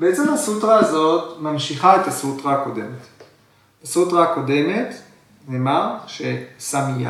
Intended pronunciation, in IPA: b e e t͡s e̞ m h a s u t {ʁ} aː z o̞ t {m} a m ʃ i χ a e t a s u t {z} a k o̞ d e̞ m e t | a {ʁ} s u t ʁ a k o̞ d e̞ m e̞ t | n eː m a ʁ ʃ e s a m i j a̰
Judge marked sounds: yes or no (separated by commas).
yes, yes, no, no